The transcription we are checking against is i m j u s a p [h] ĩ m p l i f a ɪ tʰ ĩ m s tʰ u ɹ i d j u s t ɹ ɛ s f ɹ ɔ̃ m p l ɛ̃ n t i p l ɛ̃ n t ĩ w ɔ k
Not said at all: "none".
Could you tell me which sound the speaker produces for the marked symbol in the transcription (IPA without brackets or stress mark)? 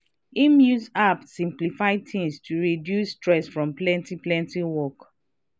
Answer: s